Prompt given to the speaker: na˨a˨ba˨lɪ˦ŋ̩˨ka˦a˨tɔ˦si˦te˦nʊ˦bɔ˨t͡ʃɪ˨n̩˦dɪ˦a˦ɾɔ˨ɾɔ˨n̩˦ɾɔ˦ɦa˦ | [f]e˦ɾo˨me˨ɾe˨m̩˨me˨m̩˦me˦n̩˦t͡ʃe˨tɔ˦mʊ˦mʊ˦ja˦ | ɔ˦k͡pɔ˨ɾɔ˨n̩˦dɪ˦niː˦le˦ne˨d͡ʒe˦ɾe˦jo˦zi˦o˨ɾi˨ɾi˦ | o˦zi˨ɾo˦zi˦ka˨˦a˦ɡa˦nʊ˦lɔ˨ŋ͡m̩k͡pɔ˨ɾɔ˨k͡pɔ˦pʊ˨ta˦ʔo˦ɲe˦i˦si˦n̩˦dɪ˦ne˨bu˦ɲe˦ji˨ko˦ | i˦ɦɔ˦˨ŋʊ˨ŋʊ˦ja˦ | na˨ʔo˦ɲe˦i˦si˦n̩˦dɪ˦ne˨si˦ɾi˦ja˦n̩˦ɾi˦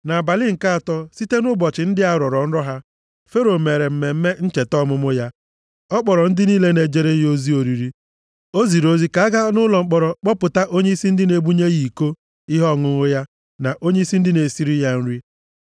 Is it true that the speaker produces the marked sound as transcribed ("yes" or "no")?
yes